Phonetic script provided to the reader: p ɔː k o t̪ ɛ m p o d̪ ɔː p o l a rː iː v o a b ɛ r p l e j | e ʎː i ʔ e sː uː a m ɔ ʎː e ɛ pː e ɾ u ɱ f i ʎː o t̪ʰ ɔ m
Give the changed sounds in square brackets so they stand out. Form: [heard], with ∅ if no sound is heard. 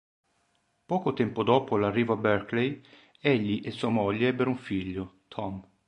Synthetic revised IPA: p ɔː k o t̪ ɛ m p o d̪ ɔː p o l a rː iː v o a b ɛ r [k] l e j | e ʎː i ʔ e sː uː a m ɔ ʎː e ɛ [bː] e ɾ u ɱ f i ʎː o t̪ʰ ɔ m